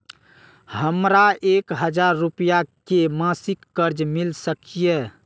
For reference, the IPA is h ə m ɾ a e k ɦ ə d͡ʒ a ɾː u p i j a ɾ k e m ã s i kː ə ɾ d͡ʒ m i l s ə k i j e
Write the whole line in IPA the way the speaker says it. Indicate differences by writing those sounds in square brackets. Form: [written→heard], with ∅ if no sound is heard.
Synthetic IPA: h ə m ɾ a e k ɦ ə d͡ʒ a ɾː u p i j a [ɾ→∅] k e m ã s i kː ə ɾ d͡ʒ m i l s ə k i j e